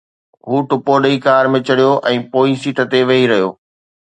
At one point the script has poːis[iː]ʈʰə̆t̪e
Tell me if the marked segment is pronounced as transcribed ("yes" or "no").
yes